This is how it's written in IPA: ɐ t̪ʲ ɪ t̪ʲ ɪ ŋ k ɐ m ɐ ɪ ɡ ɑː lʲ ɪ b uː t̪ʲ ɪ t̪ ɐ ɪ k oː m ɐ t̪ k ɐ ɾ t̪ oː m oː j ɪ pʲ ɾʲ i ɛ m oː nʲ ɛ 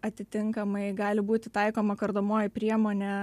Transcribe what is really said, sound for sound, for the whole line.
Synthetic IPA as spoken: ɐ t̪ʲ ɪ t̪ʲ ɪ ŋ k ɐ m ɐ ɪ ɡ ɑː lʲ ɪ b uː t̪ʲ ɪ t̪ ɐ ɪ k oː m ɐ k ɐ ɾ d̪ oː m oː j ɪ pʲ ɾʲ i ɛ m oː nʲ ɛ

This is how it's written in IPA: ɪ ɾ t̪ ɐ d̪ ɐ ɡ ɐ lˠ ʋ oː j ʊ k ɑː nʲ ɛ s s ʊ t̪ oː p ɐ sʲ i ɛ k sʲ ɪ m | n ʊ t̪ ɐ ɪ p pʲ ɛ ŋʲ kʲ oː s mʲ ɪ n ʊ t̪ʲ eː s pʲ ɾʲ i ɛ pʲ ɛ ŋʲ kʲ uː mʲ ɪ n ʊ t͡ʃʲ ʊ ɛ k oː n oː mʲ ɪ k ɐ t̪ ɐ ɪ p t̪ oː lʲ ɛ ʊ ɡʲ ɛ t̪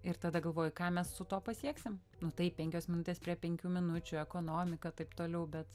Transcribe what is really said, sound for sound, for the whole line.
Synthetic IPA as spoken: ɪ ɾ t̪ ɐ d̪ ɐ ɡ ɐ lˠ ʋ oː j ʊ k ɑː mʲ ɛ s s ʊ t̪ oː p ɐ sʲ i ɛ k sʲ ɪ m | n ʊ t̪ ɐ ɪ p pʲ ɛ ŋʲ kʲ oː s mʲ ɪ n ʊ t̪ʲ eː s pʲ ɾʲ i ɛ pʲ ɛ ŋʲ kʲ uː mʲ ɪ n ʊ t͡ʃʲ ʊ ɛ k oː n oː mʲ ɪ k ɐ t̪ ɐ ɪ p t̪ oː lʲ ɛ ʊ bʲ ɛ t̪

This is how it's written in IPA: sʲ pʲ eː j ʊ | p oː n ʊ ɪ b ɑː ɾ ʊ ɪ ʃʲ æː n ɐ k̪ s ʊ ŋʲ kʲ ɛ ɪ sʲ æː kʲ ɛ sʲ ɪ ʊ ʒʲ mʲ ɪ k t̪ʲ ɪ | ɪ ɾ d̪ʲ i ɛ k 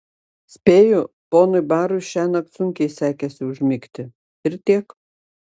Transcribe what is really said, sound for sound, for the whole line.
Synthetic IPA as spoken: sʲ pʲ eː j ʊ | p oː n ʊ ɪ b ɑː ɾ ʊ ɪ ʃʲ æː n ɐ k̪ s ʊ ŋʲ kʲ ɛ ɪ sʲ æː kʲ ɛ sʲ ɪ ʊ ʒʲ mʲ ɪ k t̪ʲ ɪ | ɪ ɾ t̪ʲ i ɛ k

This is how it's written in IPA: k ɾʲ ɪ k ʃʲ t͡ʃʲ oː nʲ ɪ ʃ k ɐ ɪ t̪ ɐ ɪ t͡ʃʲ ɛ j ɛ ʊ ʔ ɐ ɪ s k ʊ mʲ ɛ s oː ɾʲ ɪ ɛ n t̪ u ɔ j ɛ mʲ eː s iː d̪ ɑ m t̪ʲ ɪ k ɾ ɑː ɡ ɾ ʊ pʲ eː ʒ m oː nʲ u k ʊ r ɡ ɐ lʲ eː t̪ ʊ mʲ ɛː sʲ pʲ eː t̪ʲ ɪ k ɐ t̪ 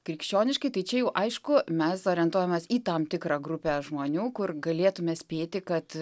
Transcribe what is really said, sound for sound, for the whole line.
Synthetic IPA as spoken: k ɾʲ ɪ k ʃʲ t͡ʃʲ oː nʲ ɪ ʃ k ɐ ɪ t̪ ɐ ɪ t͡ʃʲ ɛ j ɛ ʊ ʔ ɐ ɪ ʃ k ʊ mʲ ɛ s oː ɾʲ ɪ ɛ n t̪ u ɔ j ɛ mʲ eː s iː t̪ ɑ m t̪ʲ ɪ k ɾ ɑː ɡ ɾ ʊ pʲ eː ʒ m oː nʲ uː k ʊ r ɡ ɐ lʲ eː t̪ ʊ mʲ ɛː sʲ pʲ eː t̪ʲ ɪ k ɐ t̪

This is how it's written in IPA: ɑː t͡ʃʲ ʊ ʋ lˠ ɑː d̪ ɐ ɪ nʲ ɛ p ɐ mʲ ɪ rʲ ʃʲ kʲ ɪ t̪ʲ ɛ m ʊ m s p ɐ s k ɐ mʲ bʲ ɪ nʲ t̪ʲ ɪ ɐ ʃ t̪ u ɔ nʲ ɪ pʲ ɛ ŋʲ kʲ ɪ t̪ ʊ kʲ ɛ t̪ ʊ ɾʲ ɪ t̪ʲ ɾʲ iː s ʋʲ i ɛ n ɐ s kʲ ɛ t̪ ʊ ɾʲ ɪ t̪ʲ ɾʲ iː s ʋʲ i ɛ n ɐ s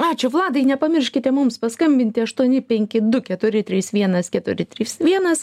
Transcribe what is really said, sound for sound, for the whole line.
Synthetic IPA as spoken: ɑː t͡ʃʲ ʊ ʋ lˠ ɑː d̪ ɐ ɪ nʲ ɛ p ɐ mʲ ɪ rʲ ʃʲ kʲ ɪ t̪ʲ ɛ m ʊ m s p ɐ s k ɐ mʲ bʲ ɪ nʲ t̪ʲ ɪ ɐ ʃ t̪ u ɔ nʲ ɪ pʲ ɛ ŋʲ kʲ ɪ d̪ ʊ kʲ ɛ t̪ ʊ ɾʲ ɪ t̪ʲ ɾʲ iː s ʋʲ i ɛ n ɐ s kʲ ɛ t̪ ʊ ɾʲ ɪ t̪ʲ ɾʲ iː s ʋʲ i ɛ n ɐ s

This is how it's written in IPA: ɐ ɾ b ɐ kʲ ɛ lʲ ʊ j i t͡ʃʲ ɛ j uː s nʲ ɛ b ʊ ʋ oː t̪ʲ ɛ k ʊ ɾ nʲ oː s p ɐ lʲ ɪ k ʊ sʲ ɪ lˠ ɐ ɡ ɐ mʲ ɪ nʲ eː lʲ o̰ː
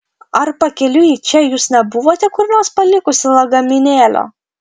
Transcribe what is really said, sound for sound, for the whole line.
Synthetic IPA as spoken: ɐ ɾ p ɐ kʲ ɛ lʲ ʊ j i t͡ʃʲ ɛ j uː s nʲ ɛ b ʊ ʋ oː t̪ʲ ɛ k ʊ ɾ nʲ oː s p ɐ lʲ ɪ k ʊ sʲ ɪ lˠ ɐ ɡ ɐ mʲ ɪ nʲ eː lʲ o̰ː

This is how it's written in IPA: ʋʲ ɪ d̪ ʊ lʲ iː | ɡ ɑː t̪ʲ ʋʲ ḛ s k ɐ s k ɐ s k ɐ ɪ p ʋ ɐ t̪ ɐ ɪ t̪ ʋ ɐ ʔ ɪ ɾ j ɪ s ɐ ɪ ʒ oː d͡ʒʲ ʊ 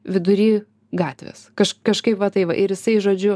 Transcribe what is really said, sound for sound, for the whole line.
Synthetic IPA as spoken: ʋʲ ɪ d̪ ʊ ɾʲ iː | ɡ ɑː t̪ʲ ʋʲ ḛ s k ɐ ʃ k ɐ ʃ k ɐ ɪ p ʋ ɐ t̪ ɐ ɪ ʋ ɐ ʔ ɪ ɾ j ɪ s ɐ ɪ ʒ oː d͡ʒʲ ʊ

